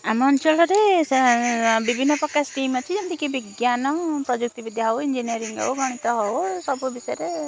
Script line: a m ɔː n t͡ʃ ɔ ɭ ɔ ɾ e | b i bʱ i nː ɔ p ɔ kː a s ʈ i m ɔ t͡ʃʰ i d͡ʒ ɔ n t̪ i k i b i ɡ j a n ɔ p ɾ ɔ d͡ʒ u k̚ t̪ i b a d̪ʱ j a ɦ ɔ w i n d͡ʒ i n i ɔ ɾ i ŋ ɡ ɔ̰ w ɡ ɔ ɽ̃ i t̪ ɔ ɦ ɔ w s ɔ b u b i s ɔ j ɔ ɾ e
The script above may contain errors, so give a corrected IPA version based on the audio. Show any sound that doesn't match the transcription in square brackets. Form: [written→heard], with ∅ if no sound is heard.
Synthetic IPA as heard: a m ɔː n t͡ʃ ɔ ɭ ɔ ɾ e | b i bʱ i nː ɔ p ɔ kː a s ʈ i m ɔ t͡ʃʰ i d͡ʒ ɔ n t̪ i k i b i ɡ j a n ɔ p ɾ ɔ d͡ʒ u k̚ t̪ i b [a→i] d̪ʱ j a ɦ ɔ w i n d͡ʒ i n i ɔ ɾ i ŋ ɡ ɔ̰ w ɡ ɔ ɽ̃ i t̪ ɔ ɦ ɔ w s ɔ b u b i s ɔ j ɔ ɾ e